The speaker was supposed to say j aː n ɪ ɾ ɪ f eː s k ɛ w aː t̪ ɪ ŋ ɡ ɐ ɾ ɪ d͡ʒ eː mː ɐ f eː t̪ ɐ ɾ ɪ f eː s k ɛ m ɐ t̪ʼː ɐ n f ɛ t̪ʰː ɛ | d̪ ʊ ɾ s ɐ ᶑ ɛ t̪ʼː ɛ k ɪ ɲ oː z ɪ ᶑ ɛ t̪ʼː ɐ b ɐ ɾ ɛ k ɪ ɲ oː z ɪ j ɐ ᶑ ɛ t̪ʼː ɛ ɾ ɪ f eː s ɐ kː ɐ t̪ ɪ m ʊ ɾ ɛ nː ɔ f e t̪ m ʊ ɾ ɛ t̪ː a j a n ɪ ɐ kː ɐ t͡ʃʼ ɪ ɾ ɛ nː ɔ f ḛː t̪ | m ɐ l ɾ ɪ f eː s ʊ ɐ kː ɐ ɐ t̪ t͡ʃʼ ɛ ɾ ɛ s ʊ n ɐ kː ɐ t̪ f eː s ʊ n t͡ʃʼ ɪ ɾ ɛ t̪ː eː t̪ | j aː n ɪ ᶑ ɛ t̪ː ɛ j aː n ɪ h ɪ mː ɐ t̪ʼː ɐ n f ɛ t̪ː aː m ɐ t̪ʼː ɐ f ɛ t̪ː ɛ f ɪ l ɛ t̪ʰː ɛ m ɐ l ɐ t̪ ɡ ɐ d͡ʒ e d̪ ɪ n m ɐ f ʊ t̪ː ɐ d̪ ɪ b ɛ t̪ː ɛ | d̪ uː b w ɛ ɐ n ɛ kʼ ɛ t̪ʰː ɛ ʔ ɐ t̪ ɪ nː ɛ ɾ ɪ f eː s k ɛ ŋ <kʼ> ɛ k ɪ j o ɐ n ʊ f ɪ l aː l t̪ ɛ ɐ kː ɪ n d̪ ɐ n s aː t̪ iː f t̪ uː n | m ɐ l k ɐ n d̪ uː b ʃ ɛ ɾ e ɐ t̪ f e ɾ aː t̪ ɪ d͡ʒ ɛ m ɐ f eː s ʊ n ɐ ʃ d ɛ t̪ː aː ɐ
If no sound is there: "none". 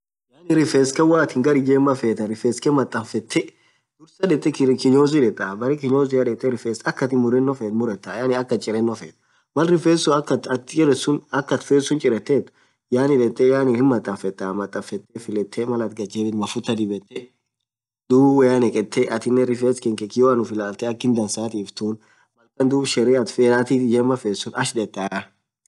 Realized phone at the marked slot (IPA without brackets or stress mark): k